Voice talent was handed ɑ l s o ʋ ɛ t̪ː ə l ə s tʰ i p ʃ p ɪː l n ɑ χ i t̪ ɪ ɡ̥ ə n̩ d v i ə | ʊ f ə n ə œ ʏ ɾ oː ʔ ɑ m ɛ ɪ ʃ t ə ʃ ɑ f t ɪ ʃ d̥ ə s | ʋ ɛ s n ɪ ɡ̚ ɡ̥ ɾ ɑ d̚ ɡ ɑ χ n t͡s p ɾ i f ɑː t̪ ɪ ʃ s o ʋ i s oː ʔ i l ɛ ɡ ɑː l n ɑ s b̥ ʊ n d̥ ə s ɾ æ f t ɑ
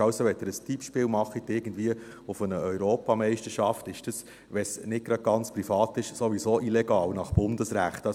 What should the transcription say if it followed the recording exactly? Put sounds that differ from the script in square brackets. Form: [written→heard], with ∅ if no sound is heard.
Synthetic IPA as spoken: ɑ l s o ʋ ɛ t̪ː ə [l→ɾ] ə s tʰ i p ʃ p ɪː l [n→m] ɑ χ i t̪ ɪ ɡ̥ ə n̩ d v i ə | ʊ f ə n ə œ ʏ ɾ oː [ʔ→p] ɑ m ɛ ɪ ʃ t ə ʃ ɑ f t ɪ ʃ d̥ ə s | ʋ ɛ s n ɪ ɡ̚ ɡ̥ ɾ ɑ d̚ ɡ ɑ [χ→∅] n t͡s p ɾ i f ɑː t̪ ɪ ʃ s o ʋ i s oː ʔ i l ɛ ɡ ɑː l n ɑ [s→χ] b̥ ʊ n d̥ ə s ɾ æ [f→χ] t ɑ